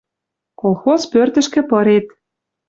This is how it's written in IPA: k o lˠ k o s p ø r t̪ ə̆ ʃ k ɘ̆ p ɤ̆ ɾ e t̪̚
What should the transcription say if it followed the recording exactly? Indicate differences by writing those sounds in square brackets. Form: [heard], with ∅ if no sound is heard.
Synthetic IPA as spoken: k o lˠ [x] o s p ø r t̪ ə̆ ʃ k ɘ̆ p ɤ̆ ɾ e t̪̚

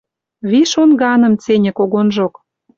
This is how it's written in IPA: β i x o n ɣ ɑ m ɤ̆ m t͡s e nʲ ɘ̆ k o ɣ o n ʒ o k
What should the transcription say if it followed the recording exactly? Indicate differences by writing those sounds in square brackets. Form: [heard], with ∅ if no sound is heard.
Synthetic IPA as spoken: β i [ʃ] o n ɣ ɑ [n] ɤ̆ m t͡s e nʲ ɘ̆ k o ɣ o n ʒ o k

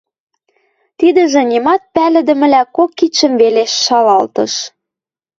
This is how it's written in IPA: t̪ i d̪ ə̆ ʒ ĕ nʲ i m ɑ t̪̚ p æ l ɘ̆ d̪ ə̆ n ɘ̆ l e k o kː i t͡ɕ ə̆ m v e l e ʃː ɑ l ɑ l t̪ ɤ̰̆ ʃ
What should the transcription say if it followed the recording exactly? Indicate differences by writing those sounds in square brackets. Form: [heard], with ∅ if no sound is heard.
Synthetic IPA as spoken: t̪ i d̪ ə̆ ʒ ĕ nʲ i m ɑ t̪̚ p æ l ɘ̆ d̪ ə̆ [m] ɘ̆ l [æ] k o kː i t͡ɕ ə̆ m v e l e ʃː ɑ l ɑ l t̪ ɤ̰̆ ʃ

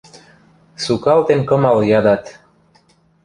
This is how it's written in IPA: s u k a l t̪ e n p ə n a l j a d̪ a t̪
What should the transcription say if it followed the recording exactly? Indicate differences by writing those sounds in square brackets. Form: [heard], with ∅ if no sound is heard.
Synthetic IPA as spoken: s u k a l t̪ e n [k] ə [m] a l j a d̪ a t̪

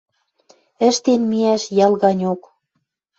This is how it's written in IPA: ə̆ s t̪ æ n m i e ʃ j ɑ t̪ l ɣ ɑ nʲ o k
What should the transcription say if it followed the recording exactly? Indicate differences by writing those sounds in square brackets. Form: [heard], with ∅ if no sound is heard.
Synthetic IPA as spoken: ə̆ [ʃ] t̪ [e] n m i [æ] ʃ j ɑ [∅] l ɣ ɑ nʲ o k

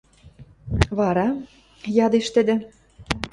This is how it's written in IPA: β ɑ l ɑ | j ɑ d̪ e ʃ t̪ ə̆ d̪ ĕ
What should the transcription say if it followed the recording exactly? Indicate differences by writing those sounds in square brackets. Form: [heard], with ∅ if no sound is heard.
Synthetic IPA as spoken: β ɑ [ɾ] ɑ | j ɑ d̪ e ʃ t̪ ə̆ d̪ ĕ

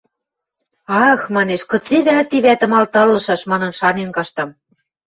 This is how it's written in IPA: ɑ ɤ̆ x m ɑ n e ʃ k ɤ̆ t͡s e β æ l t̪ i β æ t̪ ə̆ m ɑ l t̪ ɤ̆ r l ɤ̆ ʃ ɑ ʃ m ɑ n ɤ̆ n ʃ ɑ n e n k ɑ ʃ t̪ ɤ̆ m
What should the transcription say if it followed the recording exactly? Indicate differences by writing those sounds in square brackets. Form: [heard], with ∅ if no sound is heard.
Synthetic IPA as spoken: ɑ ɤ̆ x m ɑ n e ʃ k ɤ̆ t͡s e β æ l t̪ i β æ t̪ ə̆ m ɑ l t̪ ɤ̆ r l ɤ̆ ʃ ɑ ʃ m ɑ n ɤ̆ n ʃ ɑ n e n k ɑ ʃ t̪ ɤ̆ m

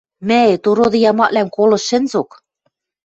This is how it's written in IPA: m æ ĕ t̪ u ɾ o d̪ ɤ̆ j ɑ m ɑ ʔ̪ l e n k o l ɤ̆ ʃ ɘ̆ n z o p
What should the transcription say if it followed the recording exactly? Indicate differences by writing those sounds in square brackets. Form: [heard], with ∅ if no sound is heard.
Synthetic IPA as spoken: m æ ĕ t̪ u ɾ o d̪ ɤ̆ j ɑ m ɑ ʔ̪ l [æ] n k o l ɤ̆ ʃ ɘ̆ n z o [k]

